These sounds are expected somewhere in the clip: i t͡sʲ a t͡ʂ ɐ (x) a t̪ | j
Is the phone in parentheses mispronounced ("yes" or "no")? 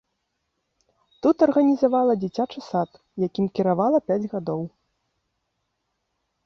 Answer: yes